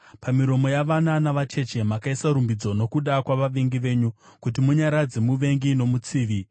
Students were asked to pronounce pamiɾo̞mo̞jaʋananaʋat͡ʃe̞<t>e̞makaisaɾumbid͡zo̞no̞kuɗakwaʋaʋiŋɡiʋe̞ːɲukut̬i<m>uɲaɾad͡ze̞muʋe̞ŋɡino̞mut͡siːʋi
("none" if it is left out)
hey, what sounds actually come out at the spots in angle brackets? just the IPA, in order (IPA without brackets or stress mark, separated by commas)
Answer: t͡ʃ, m